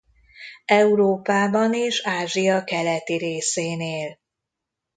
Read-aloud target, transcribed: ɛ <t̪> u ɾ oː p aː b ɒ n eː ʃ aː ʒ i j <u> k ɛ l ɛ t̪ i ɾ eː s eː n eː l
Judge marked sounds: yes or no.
no, no

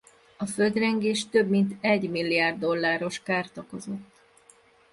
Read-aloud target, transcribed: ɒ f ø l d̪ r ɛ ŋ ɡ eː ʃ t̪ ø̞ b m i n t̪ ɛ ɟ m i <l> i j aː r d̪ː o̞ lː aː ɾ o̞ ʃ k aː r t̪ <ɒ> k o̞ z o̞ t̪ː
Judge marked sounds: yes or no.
no, yes

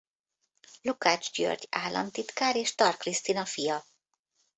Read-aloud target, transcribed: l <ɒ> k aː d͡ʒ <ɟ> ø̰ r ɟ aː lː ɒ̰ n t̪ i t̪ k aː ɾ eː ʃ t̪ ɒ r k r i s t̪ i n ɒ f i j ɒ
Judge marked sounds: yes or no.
no, yes

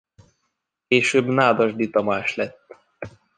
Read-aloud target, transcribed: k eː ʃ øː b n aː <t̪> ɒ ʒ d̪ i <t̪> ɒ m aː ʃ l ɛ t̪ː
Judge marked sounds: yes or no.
no, yes

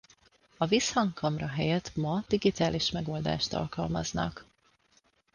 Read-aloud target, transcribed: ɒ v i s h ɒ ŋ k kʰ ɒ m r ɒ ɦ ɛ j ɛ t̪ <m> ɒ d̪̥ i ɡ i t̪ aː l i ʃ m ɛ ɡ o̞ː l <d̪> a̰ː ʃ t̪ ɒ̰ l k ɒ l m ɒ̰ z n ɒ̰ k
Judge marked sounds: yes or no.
yes, yes

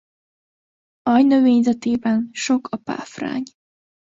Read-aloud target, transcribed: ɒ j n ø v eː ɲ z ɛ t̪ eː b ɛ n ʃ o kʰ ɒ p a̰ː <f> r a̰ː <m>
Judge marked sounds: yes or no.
yes, no

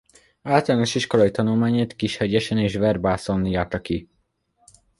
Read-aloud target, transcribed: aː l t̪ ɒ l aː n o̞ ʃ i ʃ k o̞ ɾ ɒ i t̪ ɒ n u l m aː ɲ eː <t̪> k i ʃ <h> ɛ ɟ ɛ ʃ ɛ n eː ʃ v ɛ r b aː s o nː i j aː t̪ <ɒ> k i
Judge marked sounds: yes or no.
yes, yes, yes

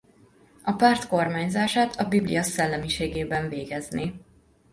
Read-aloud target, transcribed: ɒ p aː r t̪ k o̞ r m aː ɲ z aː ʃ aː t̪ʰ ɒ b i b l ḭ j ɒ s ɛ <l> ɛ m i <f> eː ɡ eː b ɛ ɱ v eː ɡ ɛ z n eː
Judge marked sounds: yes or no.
no, no

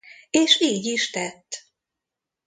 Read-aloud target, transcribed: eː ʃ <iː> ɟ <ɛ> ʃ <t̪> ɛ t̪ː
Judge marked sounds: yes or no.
yes, no, yes

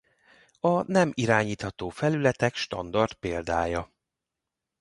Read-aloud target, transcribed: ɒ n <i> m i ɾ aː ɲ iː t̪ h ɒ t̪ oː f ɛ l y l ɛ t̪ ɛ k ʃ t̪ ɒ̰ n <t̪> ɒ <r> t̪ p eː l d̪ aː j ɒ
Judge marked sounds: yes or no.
no, no, yes

